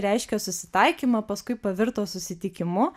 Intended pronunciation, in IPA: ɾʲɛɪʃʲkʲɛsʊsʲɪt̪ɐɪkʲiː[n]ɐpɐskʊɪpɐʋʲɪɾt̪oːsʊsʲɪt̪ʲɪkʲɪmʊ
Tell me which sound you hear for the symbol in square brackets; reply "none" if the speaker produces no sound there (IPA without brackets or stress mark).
m